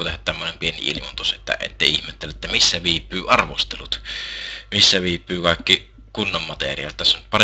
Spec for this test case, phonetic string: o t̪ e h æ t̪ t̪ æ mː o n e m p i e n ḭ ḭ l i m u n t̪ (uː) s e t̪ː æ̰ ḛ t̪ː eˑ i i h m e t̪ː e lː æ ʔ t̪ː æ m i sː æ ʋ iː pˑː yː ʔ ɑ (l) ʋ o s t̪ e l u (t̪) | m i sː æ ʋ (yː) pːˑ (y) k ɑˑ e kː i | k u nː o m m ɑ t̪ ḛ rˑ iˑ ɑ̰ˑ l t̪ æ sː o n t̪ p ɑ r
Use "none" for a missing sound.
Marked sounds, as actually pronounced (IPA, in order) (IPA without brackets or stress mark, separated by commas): u, r, t̪, iː, yː